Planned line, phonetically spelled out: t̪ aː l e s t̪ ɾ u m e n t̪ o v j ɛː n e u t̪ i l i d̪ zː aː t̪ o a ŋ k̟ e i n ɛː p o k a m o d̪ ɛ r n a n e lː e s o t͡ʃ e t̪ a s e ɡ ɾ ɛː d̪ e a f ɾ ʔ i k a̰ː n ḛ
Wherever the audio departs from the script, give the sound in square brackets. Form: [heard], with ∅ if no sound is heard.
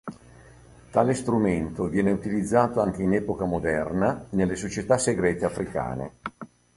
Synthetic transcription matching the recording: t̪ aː l e s t̪ ɾ u m e n t̪ o v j ɛː n e u t̪ i l i d̪ zː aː t̪ o a ŋ k̟ e i n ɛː p o k a m o d̪ ɛ r n a n e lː e s o t͡ʃ e t̪ a s e ɡ ɾ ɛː [t̪] e a f ɾ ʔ i k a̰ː n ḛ